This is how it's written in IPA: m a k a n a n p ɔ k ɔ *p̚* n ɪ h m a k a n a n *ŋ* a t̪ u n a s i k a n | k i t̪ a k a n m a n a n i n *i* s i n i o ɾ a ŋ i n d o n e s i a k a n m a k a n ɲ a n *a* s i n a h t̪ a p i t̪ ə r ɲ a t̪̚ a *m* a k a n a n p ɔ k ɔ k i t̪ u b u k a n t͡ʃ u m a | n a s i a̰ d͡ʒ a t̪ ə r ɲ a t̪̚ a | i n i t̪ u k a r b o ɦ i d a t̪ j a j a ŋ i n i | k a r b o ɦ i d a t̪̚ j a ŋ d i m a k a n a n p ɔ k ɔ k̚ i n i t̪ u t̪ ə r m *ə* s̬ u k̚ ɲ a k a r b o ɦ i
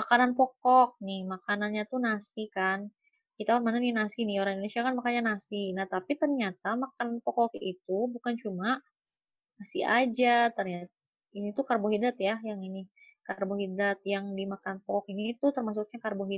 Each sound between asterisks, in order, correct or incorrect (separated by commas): incorrect, incorrect, incorrect, correct, correct, incorrect